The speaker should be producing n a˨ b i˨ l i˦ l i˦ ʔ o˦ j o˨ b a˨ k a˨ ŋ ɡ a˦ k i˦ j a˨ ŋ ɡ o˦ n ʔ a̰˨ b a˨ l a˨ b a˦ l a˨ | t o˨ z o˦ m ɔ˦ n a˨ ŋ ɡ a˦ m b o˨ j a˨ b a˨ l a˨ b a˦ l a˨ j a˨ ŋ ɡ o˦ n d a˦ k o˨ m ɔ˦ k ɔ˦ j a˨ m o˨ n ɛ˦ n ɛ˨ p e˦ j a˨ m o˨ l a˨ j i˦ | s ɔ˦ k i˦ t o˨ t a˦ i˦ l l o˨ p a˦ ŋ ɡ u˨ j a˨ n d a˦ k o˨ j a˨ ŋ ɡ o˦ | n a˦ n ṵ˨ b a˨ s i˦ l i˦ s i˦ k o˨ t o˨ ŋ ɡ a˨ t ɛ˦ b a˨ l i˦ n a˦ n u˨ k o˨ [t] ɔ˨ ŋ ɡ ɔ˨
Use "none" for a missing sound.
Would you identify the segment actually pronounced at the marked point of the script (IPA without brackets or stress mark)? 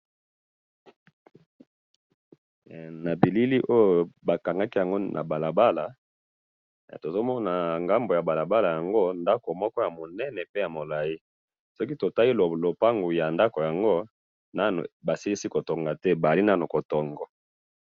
t